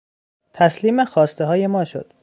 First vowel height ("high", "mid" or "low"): low